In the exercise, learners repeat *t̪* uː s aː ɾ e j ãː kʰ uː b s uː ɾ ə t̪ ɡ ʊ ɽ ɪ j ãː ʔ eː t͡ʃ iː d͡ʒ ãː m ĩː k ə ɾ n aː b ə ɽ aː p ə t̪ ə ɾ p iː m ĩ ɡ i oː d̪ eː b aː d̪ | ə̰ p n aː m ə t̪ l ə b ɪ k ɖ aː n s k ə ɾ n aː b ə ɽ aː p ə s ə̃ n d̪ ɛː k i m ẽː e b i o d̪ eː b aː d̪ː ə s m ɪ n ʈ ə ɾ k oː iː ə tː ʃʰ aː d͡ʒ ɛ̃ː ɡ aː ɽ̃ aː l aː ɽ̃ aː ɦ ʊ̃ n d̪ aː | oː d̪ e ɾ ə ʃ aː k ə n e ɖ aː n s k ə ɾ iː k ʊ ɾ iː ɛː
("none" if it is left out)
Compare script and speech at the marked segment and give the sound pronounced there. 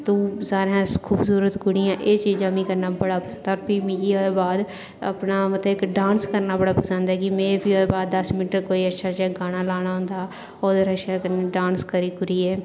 t̪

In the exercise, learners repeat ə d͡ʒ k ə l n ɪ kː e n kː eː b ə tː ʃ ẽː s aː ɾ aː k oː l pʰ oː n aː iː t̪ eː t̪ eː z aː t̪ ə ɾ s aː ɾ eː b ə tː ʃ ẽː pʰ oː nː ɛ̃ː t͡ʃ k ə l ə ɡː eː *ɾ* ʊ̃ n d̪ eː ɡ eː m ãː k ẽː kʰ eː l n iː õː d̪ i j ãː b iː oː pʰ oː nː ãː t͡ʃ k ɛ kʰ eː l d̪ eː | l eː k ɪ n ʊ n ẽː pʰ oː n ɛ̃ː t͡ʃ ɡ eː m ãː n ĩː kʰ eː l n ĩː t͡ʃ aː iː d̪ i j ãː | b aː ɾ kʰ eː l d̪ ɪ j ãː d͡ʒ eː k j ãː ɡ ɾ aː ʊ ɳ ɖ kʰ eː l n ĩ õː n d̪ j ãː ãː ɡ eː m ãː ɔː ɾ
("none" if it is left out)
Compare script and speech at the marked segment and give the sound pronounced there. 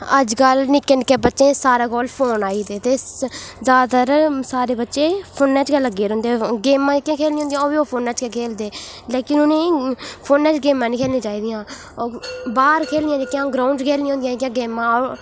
ɾ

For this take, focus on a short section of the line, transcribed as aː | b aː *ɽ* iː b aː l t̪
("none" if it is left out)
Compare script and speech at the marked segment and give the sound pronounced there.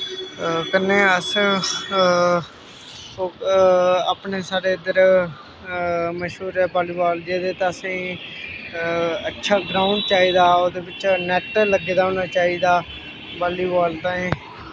l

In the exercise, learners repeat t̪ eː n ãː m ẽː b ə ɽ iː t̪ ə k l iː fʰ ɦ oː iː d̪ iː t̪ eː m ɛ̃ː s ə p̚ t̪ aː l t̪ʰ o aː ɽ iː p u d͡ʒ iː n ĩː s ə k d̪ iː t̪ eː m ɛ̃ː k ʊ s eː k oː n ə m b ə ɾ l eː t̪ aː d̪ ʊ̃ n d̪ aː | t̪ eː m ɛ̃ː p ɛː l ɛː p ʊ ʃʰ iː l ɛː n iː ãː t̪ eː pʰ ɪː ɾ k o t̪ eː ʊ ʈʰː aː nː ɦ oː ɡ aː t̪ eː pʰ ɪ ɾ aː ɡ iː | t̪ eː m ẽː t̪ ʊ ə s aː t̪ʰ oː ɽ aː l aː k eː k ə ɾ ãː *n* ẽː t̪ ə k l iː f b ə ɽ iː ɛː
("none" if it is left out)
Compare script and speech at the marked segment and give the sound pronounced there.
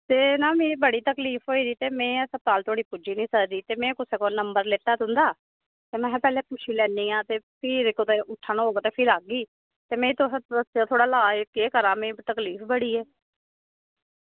m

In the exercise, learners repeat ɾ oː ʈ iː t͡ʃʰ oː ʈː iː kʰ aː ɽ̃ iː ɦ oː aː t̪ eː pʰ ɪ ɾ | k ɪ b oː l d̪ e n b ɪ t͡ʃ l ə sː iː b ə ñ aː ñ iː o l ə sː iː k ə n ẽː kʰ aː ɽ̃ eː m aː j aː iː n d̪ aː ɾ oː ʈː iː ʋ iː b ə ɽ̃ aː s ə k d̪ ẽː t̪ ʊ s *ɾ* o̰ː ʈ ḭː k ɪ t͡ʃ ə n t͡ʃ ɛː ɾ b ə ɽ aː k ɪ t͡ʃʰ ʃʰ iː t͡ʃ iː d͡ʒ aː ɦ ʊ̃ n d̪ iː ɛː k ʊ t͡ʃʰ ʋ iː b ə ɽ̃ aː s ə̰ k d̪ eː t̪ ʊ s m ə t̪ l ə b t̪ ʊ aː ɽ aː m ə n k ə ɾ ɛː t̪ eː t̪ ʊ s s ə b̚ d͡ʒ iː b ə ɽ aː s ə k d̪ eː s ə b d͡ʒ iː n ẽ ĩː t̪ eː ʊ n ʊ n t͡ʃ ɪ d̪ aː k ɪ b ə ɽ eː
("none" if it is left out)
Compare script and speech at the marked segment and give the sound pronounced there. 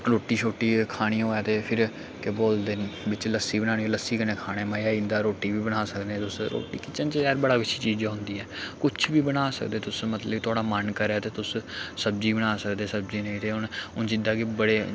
ɾ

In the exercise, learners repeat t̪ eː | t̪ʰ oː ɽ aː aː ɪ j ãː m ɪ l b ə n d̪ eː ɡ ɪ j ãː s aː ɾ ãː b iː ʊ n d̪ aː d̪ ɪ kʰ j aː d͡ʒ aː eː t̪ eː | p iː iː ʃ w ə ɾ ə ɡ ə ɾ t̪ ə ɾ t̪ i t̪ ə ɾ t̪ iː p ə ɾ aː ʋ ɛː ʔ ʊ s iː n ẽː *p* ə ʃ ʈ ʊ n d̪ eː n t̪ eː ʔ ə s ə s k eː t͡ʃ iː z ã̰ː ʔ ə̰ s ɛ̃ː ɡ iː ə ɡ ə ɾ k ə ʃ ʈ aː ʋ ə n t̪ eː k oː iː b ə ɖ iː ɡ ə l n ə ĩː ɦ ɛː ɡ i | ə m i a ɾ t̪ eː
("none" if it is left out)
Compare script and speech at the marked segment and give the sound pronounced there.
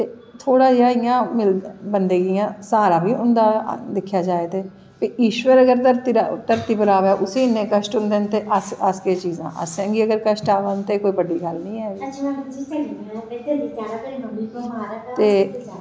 k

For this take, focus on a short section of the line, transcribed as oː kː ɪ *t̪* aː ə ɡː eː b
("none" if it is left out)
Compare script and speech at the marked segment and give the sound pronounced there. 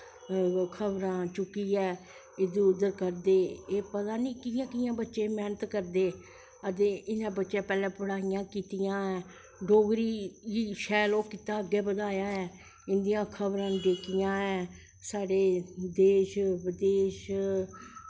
t̪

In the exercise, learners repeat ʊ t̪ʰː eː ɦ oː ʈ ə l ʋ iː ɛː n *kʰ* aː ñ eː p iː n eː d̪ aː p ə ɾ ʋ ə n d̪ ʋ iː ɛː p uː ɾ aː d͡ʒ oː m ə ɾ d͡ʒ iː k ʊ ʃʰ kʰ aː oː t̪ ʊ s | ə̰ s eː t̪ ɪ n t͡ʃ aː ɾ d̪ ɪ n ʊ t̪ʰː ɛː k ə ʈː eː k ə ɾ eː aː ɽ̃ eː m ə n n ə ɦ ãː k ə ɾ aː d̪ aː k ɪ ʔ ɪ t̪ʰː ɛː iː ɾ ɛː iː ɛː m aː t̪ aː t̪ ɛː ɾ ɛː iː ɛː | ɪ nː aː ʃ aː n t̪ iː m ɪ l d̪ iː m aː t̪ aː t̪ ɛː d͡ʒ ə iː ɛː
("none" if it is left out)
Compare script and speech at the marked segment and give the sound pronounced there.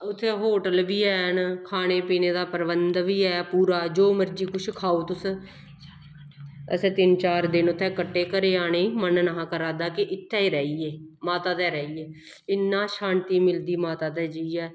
kʰ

